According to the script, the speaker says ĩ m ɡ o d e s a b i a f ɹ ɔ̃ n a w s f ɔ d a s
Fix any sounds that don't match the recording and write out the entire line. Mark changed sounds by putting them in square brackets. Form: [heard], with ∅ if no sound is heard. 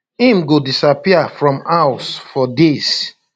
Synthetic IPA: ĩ m ɡ o d [i] s a [p] i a f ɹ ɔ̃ [m] a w s f ɔ d [e] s